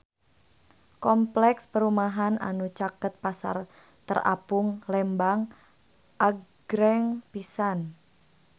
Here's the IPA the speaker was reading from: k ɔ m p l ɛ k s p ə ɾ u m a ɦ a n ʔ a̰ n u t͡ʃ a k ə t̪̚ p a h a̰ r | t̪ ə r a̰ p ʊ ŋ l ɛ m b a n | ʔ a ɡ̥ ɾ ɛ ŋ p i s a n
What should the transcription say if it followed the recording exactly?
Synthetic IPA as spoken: k ɔ m p l ɛ k s p ə ɾ u m a ɦ a n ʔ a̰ n u t͡ʃ a k ə t̪̚ p a s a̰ r | t̪ ə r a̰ p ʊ ŋ l ɛ m b a ŋ | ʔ a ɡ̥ ɾ ɛ ŋ p i s a n